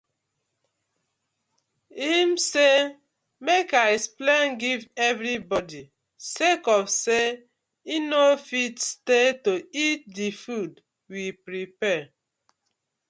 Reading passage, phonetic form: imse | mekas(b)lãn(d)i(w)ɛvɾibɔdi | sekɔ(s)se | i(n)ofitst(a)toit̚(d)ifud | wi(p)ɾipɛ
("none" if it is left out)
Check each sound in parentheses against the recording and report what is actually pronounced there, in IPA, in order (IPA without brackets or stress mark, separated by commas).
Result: p, ɡ, v, f, n, e, d, p